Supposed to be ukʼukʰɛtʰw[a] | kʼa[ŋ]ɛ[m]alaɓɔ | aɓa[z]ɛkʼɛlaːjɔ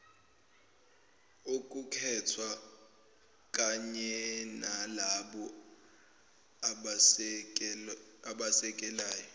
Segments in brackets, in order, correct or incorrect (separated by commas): correct, incorrect, incorrect, incorrect